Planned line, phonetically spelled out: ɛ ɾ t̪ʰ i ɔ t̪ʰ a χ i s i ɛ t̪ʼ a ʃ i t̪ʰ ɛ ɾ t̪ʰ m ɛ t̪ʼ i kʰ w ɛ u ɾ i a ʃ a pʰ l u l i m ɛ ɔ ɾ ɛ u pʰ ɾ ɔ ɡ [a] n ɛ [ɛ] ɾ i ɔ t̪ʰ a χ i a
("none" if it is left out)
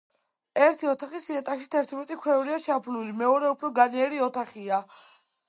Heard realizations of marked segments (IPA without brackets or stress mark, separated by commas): a, ɛ